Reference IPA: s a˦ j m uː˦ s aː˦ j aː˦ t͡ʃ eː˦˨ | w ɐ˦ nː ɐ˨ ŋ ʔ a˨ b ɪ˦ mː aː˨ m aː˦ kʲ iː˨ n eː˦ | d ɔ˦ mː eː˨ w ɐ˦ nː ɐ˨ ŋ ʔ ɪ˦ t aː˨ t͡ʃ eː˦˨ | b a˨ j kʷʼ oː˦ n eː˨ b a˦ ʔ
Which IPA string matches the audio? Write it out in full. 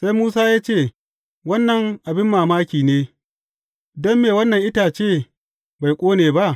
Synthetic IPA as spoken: s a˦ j m uː˦ s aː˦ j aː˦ t͡ʃ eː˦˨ | w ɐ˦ nː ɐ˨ ŋ ʔ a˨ b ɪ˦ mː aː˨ m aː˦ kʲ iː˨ n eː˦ | d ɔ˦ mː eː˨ w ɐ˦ nː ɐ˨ ŋ ʔ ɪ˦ t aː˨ t͡ʃ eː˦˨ | b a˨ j kʷʼ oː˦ n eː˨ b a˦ ʔ